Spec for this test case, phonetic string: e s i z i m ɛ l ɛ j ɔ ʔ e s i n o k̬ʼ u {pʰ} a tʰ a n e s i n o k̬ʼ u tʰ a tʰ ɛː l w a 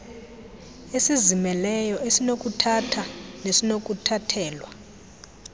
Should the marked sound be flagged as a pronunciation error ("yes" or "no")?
yes